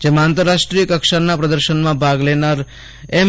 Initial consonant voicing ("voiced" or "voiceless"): voiced